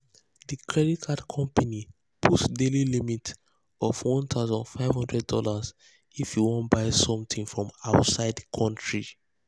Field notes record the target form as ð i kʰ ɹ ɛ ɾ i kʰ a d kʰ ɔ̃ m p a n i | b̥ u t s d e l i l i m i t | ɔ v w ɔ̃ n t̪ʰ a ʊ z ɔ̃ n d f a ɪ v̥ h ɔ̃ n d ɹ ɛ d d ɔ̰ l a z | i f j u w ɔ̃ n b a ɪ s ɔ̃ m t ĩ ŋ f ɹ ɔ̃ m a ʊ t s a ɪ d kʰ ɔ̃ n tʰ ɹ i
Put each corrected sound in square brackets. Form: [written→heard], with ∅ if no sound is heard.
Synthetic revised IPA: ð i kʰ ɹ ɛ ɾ i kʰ a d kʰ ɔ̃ m p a n i | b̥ u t s d e l i l i m i t | ɔ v w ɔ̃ n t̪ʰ a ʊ z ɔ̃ n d f a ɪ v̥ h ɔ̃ n d ɹ ɛ d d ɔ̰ l a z | i f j u w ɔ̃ n b a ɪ s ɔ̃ m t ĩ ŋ f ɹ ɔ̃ m a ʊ t s a ɪ d kʰ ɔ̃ n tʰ ɹ i